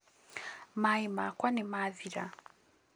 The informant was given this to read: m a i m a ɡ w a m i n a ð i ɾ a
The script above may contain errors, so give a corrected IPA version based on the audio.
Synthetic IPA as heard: m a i m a k w a n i m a ð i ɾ a